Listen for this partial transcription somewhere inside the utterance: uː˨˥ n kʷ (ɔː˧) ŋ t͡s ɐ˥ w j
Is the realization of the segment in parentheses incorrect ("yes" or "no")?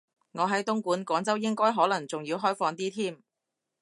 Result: yes